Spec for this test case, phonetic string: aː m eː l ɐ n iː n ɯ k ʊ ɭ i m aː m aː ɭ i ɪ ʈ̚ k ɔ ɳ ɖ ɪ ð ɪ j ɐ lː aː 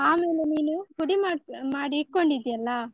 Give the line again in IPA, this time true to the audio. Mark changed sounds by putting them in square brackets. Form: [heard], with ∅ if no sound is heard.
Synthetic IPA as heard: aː m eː l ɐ n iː n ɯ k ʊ [ɽ] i m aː m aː [ɽ] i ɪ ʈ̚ k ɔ ɳ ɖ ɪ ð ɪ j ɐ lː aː